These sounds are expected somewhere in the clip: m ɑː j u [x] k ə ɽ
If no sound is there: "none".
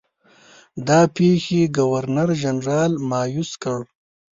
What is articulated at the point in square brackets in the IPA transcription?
s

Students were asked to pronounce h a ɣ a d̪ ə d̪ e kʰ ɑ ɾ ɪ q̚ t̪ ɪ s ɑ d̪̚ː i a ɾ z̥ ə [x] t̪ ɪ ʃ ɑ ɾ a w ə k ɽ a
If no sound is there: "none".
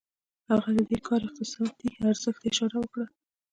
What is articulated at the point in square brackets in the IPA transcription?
x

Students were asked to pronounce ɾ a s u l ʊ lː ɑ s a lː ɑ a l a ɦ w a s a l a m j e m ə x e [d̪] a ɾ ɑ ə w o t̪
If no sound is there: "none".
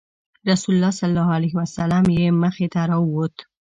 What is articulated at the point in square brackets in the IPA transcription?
t̪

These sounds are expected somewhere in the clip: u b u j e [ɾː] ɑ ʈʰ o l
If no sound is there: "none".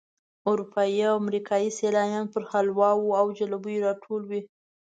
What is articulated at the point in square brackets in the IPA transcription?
ɾ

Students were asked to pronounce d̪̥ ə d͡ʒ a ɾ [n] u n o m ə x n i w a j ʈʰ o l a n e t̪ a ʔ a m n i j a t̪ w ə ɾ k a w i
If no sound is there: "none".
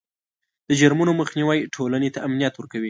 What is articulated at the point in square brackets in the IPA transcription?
m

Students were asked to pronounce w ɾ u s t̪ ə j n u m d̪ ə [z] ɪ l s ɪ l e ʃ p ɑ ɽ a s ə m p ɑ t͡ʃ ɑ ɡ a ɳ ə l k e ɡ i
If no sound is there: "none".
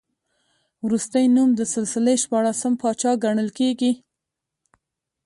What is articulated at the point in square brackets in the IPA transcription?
s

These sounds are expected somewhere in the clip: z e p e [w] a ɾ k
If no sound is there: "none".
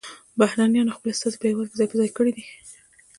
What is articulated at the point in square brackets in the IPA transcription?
w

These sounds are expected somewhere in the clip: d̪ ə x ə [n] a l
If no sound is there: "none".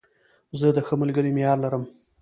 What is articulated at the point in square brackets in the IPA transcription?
m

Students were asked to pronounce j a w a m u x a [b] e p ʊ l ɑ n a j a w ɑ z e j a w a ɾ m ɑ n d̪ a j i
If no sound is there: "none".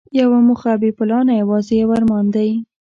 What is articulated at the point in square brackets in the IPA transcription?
b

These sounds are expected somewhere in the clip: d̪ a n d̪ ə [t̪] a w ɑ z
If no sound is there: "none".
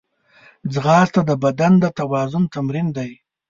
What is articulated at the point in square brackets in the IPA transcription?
t̪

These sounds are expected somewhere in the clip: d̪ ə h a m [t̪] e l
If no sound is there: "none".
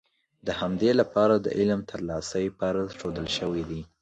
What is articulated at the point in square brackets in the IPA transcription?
d̪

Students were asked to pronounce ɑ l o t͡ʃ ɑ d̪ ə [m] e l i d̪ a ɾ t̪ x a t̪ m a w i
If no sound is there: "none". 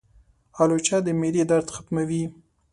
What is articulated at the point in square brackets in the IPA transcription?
m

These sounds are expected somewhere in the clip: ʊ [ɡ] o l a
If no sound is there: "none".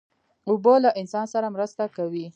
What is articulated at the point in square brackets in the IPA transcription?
b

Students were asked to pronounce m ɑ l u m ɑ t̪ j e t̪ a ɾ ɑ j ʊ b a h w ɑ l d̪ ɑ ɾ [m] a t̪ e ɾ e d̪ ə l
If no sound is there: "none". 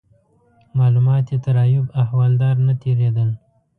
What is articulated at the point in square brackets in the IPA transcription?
n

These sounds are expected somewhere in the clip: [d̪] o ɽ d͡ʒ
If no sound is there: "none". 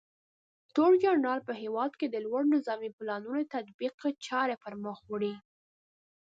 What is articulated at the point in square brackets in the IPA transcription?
t̪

